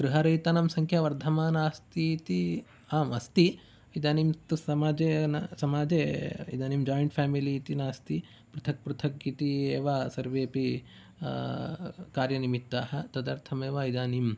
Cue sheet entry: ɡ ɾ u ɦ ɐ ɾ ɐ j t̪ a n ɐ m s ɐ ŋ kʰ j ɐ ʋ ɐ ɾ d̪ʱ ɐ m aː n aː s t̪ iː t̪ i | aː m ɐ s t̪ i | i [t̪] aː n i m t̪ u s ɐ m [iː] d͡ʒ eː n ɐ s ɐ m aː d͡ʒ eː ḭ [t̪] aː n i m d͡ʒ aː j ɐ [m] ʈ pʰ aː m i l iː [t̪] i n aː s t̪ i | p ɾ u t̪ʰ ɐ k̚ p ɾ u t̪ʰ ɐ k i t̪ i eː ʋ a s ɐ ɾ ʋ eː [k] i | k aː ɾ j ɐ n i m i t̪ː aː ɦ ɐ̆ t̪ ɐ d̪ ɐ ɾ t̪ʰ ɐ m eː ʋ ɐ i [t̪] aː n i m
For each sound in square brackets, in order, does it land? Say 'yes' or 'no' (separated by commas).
no, no, no, no, yes, no, no